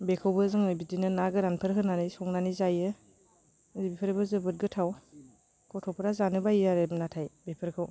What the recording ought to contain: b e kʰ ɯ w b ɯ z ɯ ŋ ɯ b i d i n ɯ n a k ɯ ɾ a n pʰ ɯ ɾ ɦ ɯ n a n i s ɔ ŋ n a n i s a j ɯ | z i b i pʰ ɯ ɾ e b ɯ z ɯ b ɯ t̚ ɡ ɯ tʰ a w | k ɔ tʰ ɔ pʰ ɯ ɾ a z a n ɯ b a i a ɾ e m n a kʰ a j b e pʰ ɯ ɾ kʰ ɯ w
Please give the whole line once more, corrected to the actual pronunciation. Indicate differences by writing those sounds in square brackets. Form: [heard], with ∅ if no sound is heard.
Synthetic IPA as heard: b e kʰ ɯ w b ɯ z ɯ ŋ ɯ b i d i n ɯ n a [ɡ] ɯ ɾ a n pʰ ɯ ɾ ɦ ɯ n a n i s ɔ ŋ n a n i [z] a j ɯ | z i b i pʰ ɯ ɾ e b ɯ z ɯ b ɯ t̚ ɡ ɯ tʰ a w | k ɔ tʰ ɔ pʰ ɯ ɾ a z a n ɯ b a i a ɾ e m n a [tʰ] a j b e pʰ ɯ ɾ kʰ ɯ w